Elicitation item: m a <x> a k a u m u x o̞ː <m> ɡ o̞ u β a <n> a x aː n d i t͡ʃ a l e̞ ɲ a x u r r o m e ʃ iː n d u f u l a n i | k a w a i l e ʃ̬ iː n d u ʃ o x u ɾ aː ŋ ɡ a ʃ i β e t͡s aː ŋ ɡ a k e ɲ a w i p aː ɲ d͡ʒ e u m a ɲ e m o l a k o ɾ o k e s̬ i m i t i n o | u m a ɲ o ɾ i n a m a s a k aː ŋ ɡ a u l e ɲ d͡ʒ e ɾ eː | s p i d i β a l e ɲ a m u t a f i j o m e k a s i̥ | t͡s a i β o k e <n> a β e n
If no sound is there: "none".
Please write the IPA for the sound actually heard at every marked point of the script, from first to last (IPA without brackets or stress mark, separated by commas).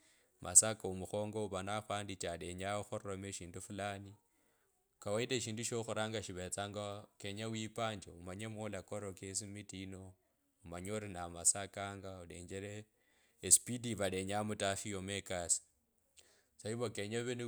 s, ŋ, n, ɲ